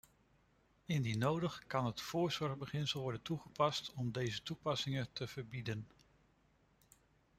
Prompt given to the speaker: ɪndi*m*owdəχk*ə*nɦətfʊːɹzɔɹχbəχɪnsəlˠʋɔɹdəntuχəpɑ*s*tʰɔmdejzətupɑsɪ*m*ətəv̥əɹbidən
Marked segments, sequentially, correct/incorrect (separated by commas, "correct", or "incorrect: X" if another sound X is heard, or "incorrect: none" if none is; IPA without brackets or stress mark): incorrect: n, incorrect: ɑ, correct, incorrect: ŋ